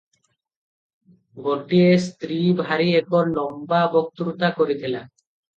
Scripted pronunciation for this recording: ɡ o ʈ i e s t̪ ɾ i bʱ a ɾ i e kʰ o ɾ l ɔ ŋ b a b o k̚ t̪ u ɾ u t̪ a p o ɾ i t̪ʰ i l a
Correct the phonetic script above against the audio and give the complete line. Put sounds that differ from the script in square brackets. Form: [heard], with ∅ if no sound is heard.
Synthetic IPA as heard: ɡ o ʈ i e s t̪ ɾ i bʱ a ɾ i e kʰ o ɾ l ɔ [m] b a b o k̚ t̪ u ɾ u t̪ a [k] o ɾ i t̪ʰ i l a

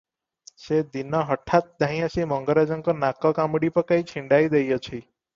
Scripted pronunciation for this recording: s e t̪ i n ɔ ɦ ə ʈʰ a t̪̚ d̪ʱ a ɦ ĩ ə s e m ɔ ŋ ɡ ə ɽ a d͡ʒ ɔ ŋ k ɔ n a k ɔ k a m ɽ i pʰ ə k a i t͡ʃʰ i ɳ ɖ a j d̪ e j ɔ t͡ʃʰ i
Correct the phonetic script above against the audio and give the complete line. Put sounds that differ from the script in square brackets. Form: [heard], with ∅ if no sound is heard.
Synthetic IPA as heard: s e [d̪] i n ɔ ɦ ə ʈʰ a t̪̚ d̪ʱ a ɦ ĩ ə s [i] m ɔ ŋ ɡ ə [ɾ] a d͡ʒ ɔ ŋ k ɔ n a k ɔ k a m ɽ i [p] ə k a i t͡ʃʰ i ɳ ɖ a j d̪ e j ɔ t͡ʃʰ i

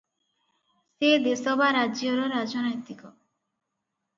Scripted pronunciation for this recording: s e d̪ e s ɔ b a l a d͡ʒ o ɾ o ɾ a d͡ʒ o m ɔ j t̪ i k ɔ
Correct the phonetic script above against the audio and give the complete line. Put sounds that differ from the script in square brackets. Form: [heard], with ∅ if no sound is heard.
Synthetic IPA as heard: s e d̪ e s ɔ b a [ɾ] a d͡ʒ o ɾ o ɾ a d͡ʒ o [n] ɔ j t̪ i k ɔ

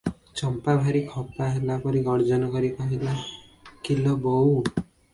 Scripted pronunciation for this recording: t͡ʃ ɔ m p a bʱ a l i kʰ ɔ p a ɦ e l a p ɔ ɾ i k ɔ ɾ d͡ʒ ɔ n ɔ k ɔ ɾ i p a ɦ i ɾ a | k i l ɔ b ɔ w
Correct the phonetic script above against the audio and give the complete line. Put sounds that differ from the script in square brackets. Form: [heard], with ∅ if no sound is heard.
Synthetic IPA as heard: t͡ʃ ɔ m p a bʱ a [ɾ] i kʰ ɔ p a ɦ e l a p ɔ ɾ i [ɡ] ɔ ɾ d͡ʒ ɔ n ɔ k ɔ ɾ i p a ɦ i [l] a | k i l ɔ b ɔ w

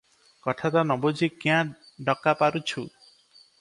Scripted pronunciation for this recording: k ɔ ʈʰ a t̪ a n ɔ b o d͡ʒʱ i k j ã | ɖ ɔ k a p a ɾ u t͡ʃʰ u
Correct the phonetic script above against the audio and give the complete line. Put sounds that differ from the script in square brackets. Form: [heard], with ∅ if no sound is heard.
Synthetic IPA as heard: k ɔ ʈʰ a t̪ a n ɔ b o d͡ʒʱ i k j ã | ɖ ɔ k a p a ɾ u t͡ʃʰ u

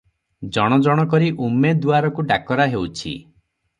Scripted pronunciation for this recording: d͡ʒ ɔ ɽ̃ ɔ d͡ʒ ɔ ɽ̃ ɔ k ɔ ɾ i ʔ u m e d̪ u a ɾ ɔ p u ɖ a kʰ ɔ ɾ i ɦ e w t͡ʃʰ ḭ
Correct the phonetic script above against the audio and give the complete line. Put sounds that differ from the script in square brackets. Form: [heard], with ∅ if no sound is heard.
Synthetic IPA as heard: d͡ʒ ɔ ɽ̃ ɔ d͡ʒ ɔ ɽ̃ ɔ k ɔ ɾ i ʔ u m e d̪ u a ɾ ɔ [k] u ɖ a [k] ɔ ɾ [a] ɦ e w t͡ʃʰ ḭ

